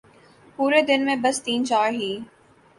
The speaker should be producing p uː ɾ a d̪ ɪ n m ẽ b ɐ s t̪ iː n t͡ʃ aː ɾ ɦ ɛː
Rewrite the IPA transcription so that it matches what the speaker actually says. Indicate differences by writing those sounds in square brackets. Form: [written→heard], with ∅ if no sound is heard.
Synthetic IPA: p uː ɾ [a→e] d̪ ɪ n m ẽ b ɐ s t̪ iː n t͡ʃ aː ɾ ɦ [ɛː→iː]